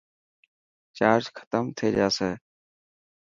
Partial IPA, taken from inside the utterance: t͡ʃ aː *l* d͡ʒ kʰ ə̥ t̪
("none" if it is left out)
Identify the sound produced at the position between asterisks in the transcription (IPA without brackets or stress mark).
ɾ